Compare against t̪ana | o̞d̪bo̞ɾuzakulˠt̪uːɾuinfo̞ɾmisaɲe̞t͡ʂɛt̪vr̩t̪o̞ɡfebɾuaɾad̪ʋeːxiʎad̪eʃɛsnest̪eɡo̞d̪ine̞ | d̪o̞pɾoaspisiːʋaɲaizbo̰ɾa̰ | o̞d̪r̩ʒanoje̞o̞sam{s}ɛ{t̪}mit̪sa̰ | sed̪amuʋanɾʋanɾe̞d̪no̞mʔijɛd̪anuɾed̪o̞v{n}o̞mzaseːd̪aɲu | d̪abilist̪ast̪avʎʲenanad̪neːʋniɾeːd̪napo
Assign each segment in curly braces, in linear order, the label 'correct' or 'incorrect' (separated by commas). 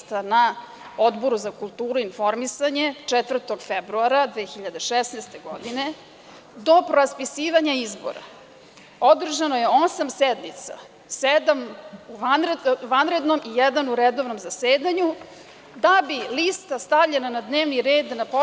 correct, incorrect, correct